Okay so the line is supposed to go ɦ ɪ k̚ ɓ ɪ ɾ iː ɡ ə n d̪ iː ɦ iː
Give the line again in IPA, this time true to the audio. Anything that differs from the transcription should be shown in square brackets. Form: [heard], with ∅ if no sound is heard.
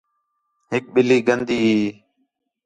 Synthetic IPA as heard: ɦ ɪ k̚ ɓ ɪ [l] iː ɡ ə n d̪ iː ɦ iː